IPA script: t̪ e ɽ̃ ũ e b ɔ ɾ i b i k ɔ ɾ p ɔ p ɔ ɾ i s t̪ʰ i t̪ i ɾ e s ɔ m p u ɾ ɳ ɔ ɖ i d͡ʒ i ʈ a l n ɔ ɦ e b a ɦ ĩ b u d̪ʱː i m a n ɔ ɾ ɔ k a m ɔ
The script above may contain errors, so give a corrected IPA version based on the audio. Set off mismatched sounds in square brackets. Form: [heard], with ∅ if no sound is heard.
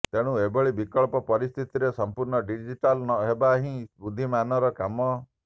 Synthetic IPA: t̪ e ɽ̃ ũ e b ɔ [ɭ] i b i k ɔ [ɭ] p ɔ p ɔ ɾ i s t̪ʰ i t̪ i ɾ e s ɔ m p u ɾ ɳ ɔ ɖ i d͡ʒ i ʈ a l n ɔ ɦ e b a ɦ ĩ b u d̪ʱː i m a n ɔ ɾ ɔ k a m ɔ